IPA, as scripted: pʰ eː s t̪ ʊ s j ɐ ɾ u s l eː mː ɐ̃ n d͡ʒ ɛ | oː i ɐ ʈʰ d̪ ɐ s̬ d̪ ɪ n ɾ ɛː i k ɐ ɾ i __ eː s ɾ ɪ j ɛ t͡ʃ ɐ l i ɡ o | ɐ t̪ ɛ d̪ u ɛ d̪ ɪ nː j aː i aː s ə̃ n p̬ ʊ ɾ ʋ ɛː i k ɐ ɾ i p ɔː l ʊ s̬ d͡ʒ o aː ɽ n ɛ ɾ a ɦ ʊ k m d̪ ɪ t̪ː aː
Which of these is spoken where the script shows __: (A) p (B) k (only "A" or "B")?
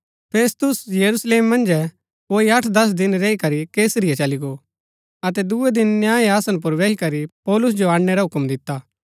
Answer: B